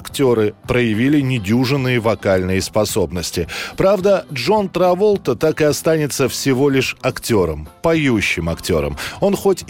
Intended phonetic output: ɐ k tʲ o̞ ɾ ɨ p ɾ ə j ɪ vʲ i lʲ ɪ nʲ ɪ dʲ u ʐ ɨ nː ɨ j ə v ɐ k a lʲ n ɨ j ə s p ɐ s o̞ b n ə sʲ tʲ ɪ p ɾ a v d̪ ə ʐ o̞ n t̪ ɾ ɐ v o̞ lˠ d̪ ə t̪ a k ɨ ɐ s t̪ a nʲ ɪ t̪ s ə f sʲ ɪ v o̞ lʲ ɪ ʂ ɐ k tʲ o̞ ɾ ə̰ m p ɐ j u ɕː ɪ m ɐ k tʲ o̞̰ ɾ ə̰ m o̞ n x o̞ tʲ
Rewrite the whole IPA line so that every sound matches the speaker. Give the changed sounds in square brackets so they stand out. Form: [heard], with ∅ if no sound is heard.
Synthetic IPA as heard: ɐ k tʲ o̞ ɾ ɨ p ɾ ə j ɪ vʲ i lʲ ɪ nʲ ɪ dʲ u ʐ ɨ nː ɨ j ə v ɐ k a lʲ n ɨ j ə s p ɐ s o̞ b n ə sʲ tʲ ɪ p ɾ a v d̪ ə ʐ o̞ n t̪ ɾ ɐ v o̞ lˠ [t̪] ə t̪ a k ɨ ɐ s t̪ a nʲ ɪ t̪ s ə f sʲ ɪ v o̞ lʲ ɪ ʂ ɐ k tʲ o̞ ɾ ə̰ m p ɐ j u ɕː ɪ m ɐ k tʲ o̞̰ ɾ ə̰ m o̞ n x o̞ tʲ